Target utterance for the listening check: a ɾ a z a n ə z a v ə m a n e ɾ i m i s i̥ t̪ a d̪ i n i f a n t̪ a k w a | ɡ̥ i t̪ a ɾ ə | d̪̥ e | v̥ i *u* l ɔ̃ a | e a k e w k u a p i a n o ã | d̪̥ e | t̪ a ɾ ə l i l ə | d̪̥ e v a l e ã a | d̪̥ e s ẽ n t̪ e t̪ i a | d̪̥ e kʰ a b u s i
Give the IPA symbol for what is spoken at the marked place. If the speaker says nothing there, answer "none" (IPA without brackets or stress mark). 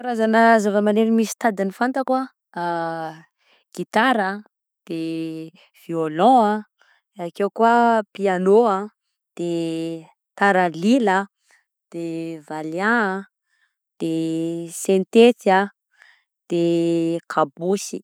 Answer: o